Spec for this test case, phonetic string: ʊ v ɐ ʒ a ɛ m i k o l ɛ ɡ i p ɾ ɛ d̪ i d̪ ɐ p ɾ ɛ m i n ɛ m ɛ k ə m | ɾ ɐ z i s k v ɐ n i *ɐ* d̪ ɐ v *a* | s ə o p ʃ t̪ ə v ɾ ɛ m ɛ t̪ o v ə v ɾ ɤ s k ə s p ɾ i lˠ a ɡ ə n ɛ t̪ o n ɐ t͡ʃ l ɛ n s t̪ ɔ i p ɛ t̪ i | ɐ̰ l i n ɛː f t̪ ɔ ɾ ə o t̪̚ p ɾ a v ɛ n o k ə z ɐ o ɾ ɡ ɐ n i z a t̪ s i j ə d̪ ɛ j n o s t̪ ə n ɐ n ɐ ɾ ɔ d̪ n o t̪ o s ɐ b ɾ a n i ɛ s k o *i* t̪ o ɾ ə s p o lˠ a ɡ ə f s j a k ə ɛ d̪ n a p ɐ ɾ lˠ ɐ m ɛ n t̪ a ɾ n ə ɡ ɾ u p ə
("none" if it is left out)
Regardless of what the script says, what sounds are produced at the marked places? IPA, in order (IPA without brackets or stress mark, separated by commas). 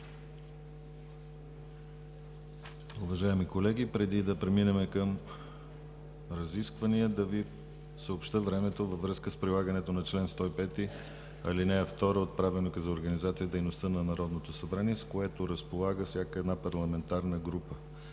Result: ə, i, ɛ